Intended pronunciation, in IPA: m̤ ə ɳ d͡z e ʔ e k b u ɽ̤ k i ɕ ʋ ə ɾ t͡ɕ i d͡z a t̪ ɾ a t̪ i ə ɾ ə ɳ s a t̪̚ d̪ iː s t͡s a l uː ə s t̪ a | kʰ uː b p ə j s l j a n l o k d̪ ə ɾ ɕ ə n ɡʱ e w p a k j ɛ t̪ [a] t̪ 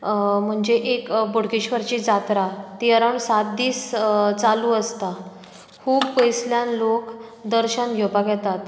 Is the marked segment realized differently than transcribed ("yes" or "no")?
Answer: no